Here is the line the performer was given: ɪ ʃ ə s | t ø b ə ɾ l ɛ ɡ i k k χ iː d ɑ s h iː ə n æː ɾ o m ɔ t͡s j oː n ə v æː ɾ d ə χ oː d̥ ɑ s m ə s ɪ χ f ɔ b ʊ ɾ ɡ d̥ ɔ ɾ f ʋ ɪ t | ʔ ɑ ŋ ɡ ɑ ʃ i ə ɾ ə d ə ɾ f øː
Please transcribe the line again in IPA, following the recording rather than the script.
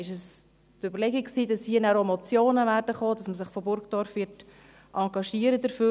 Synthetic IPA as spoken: ɪ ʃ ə s | t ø b ə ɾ l ɛ ɡ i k k s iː d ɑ s h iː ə n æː ɾ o m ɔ t͡s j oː n ə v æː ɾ d ə χ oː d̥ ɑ s m ə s ɪ χ f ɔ b ʊ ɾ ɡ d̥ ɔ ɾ f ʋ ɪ t | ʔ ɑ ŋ ɡ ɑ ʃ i ə ɾ ə d ə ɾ f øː